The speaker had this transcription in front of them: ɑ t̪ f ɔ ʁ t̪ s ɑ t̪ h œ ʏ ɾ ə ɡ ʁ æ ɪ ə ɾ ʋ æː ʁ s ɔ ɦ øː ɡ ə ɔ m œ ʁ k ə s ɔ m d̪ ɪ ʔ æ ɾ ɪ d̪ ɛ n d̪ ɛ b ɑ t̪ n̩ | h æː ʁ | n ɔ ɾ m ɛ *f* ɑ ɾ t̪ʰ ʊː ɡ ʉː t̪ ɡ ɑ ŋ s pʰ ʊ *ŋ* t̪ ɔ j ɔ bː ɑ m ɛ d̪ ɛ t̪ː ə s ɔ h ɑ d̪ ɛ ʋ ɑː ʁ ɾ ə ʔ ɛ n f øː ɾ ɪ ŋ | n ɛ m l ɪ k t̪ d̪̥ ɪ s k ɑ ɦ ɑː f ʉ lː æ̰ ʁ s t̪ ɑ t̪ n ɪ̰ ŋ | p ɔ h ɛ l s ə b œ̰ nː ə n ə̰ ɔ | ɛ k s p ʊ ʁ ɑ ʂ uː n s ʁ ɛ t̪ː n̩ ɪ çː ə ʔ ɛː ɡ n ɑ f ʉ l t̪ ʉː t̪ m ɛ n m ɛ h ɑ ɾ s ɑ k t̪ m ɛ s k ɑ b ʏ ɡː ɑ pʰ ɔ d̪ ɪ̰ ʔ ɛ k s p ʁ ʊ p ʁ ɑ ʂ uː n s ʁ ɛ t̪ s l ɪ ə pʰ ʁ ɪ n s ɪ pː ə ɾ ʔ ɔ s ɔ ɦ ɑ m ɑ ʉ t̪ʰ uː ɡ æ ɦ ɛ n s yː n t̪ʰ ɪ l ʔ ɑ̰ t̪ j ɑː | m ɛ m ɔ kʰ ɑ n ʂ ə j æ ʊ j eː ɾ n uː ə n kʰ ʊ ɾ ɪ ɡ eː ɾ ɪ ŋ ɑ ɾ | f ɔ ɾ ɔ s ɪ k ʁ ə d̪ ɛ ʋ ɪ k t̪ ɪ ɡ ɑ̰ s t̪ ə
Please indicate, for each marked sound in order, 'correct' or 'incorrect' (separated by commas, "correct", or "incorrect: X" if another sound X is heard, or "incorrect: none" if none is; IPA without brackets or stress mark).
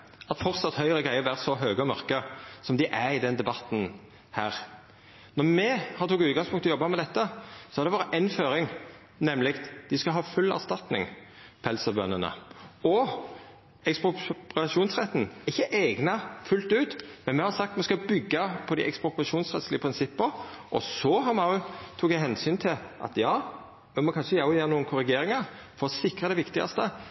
incorrect: h, correct